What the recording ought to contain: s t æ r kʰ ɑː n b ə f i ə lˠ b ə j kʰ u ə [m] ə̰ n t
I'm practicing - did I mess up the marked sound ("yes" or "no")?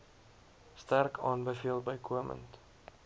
no